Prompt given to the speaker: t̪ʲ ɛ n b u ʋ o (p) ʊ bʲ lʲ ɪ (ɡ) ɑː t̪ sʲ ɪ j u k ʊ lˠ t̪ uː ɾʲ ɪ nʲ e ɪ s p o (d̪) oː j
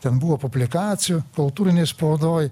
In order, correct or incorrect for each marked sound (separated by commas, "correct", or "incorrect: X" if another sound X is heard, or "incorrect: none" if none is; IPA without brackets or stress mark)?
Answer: correct, incorrect: k, correct